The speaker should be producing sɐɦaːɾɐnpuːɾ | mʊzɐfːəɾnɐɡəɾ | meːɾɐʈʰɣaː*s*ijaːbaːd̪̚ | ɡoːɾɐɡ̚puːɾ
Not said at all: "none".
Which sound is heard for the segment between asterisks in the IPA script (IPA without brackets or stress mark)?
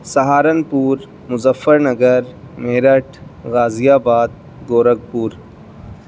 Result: z